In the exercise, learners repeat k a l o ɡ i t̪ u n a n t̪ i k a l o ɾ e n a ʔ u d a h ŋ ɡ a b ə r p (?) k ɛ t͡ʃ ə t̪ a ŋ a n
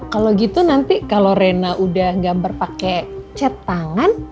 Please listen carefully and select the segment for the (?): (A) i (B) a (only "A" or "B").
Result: B